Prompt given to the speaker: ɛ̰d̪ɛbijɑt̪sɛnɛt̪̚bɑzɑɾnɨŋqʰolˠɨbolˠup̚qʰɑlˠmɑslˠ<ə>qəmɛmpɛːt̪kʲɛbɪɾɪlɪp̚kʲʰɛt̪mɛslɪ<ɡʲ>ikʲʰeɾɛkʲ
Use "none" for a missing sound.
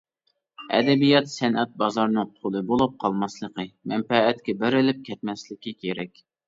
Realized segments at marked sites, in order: ə, kʲ

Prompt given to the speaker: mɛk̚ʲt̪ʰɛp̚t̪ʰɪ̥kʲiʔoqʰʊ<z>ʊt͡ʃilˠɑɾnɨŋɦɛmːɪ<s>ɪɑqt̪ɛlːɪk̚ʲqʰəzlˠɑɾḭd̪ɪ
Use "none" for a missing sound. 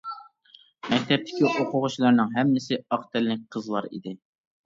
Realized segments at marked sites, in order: ʁ, s

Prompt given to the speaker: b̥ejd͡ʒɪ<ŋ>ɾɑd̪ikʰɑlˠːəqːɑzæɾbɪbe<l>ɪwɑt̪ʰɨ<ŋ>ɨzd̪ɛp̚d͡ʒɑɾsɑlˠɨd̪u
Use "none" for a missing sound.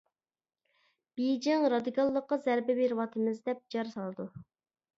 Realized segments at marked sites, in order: ŋ, ɾ, m

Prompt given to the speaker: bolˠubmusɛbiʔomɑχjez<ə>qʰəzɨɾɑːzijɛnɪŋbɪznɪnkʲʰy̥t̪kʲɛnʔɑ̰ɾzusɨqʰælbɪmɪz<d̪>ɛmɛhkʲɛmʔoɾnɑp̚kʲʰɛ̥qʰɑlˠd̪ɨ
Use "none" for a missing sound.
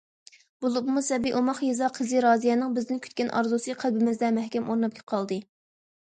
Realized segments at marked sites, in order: ɑ, d̪

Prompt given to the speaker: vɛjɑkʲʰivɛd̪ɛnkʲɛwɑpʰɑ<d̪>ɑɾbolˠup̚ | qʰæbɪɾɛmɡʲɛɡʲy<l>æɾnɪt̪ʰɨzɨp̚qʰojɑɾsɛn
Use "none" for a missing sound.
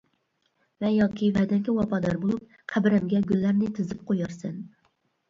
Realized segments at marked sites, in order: d̪, lː

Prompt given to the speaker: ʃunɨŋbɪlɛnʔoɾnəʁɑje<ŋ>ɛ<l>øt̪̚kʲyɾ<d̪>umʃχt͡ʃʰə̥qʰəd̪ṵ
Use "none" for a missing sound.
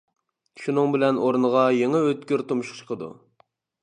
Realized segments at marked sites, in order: ŋ, none, t̪

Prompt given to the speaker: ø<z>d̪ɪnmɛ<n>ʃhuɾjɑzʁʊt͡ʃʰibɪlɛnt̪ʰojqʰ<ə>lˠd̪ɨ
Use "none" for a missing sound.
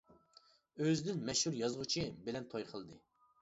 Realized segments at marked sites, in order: z, none, ə

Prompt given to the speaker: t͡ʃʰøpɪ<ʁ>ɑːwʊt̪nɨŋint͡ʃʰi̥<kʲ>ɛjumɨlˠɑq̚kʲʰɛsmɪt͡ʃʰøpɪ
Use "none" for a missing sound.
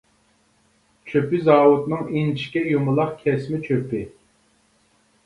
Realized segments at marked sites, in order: z, kʲ

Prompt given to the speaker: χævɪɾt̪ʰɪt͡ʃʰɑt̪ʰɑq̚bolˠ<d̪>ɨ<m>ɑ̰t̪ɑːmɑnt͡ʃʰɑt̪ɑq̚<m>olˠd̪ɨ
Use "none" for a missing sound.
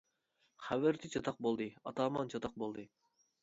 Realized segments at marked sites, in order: d̪, none, b

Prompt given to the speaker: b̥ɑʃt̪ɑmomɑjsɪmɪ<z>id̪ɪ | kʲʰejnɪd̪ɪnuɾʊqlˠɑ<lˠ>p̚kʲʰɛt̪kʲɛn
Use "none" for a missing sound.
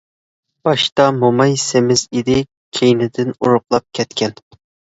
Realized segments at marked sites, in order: z, none

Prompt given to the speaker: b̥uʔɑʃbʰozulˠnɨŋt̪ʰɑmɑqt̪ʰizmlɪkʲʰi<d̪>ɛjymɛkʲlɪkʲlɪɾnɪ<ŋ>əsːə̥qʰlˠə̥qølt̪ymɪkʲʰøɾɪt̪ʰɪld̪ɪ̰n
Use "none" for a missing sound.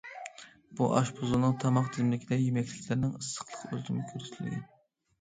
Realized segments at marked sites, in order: d̪, ŋ

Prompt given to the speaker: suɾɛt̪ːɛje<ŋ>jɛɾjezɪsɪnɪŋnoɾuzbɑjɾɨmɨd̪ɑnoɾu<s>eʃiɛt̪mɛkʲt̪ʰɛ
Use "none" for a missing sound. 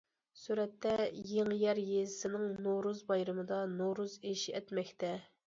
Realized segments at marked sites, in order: ŋ, z

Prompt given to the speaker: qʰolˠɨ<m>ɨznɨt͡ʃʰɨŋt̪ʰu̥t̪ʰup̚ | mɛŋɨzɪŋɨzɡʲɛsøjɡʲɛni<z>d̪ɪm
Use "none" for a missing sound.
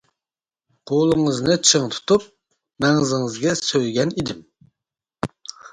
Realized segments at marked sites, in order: ŋ, none

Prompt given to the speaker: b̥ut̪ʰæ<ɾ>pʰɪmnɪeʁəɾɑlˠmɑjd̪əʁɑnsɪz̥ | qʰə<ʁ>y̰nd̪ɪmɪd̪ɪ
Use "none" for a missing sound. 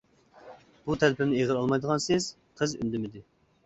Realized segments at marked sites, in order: l, z

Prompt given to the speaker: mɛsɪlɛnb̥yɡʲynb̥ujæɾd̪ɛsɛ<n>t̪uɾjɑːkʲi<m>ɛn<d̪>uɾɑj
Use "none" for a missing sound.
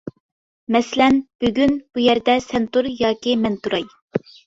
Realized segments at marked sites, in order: n, m, t̪

